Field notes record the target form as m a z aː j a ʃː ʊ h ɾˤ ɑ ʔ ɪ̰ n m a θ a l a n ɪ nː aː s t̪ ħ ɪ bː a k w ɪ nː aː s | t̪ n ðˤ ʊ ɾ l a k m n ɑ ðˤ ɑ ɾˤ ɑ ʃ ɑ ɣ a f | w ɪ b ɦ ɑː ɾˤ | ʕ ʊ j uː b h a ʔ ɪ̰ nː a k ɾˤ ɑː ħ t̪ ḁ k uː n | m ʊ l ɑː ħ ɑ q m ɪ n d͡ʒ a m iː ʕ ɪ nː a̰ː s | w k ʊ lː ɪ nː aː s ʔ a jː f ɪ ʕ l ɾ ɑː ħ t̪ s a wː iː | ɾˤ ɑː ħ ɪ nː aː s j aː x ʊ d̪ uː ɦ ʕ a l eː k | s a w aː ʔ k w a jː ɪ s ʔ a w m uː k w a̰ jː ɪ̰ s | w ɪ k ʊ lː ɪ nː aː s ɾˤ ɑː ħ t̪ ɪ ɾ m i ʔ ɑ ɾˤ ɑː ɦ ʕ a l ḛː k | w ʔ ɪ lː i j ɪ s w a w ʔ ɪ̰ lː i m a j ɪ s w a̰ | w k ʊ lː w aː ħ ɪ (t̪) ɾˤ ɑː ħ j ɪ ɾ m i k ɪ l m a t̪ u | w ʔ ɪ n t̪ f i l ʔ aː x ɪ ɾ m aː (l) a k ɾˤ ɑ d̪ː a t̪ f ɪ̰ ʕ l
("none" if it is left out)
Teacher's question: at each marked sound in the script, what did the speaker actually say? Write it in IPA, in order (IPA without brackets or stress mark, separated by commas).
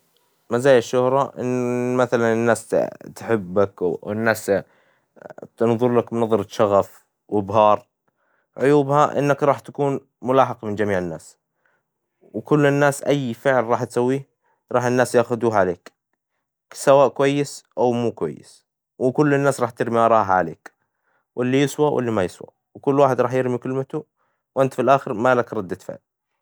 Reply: d̪, l